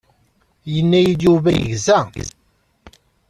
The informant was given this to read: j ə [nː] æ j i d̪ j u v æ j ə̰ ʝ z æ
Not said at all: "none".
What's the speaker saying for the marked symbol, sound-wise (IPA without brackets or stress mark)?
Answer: nː